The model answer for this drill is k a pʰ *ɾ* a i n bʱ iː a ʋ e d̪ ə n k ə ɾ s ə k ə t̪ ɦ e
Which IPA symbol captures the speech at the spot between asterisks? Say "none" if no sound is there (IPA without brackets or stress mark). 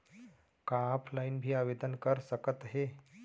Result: l